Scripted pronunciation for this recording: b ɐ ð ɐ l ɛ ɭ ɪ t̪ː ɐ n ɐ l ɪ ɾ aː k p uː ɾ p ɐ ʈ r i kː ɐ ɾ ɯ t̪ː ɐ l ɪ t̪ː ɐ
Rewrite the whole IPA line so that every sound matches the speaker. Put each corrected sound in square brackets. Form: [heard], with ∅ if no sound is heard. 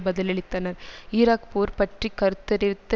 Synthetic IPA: b ɐ ð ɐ l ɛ ɭ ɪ t̪ː ɐ n ɐ [ɾ] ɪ ɾ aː k p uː ɾ p ɐ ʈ r i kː ɐ ɾ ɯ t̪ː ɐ [ɾ] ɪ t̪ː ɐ